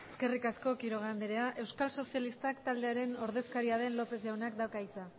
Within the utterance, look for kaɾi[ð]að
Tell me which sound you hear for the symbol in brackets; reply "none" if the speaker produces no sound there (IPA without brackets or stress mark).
none